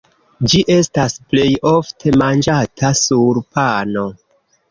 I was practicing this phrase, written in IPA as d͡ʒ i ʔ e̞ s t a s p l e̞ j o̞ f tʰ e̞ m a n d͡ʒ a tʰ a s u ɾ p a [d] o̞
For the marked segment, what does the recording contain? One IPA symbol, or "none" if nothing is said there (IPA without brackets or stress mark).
n